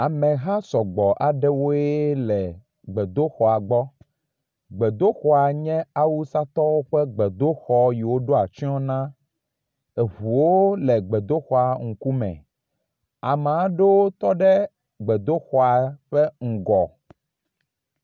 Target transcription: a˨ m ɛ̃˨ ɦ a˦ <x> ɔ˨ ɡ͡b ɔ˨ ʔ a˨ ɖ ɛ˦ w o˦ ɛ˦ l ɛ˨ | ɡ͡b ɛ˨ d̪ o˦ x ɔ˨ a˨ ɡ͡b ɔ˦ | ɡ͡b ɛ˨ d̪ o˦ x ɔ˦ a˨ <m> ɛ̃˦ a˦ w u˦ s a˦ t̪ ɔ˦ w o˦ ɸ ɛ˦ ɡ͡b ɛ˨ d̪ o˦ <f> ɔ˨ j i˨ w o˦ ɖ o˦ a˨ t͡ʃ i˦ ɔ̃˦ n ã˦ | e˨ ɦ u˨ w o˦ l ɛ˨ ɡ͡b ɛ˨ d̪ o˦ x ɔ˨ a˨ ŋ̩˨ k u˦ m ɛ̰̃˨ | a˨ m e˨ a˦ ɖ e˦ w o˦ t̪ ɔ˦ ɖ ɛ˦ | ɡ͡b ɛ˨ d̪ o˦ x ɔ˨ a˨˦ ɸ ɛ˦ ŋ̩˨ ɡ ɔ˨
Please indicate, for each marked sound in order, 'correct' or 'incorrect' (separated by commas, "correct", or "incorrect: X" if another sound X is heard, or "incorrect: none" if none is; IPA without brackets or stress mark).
incorrect: s, incorrect: ɲ, incorrect: x